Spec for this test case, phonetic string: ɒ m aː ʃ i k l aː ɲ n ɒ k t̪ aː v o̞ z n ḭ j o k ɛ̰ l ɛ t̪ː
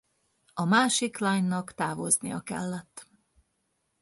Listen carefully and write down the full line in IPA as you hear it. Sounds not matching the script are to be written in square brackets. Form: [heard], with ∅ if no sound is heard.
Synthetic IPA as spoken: ɒ m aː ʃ i k l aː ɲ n ɒ k t̪ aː v o̞ z n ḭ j [ɒ] k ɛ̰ [lː] ɛ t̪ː